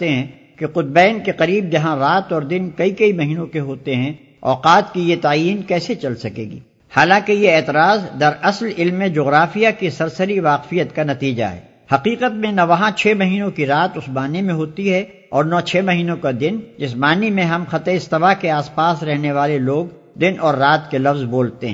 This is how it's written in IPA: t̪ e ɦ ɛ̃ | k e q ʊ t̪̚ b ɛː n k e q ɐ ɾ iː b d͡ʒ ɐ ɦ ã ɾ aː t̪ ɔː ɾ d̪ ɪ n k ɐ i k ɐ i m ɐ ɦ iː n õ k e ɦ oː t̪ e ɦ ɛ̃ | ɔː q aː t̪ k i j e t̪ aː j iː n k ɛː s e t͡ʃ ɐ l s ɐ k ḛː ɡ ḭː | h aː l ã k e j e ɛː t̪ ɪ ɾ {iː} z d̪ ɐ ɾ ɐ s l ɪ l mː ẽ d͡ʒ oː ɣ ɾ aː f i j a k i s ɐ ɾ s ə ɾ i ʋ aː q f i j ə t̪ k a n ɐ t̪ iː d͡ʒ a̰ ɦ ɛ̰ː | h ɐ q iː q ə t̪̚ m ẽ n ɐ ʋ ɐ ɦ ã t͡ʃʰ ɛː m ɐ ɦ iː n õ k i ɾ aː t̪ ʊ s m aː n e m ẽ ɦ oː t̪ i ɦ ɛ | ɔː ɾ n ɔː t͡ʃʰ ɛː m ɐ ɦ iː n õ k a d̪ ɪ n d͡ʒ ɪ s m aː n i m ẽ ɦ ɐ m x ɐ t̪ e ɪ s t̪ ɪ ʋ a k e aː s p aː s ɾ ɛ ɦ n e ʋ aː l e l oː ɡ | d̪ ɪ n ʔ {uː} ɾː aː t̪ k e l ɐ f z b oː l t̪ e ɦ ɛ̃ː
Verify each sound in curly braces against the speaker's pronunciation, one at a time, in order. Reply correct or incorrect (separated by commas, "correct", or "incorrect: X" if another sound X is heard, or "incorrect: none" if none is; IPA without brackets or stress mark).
incorrect: aː, incorrect: ɔː